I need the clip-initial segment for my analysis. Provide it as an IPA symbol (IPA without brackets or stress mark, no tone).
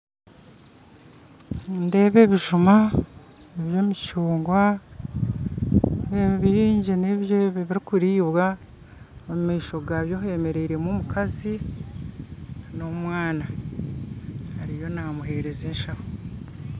n